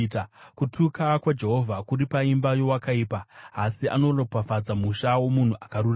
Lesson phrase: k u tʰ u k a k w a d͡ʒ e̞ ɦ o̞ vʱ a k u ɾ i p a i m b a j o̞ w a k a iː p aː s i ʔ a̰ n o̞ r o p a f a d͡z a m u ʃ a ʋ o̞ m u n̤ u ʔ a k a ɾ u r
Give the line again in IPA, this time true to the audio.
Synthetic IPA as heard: k u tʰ u k a k w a d͡ʒ e̞ ɦ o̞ vʱ a k u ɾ i p a i m b a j o̞ w a k a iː p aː s i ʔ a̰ n o̞ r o p a f a d͡z a m u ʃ a w o̞ m u n̤ u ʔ a k a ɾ u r